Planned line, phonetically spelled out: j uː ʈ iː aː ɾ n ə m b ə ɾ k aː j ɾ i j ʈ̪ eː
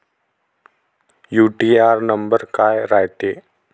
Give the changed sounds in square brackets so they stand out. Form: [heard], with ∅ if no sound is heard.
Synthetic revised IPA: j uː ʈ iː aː ɾ n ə m b ə ɾ k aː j ɾ [a] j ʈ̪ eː